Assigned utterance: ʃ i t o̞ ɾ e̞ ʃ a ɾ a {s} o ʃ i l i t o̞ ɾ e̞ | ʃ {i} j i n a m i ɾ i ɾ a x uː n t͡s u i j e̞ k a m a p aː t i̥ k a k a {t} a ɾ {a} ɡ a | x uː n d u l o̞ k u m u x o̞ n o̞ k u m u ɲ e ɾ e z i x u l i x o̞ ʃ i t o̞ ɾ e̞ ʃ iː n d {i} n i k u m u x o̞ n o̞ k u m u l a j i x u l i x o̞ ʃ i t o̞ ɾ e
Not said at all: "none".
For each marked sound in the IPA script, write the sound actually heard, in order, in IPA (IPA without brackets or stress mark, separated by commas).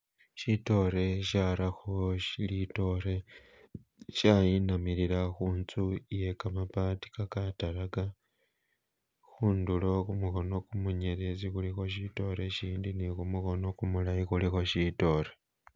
x, a, t, a, i